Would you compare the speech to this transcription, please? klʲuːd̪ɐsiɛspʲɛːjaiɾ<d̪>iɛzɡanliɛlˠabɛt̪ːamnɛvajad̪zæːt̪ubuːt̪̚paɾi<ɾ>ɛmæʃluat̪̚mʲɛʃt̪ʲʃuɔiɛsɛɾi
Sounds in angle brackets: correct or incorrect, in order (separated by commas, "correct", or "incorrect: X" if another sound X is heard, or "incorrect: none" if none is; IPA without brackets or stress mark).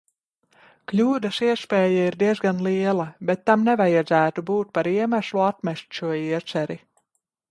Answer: correct, incorrect: none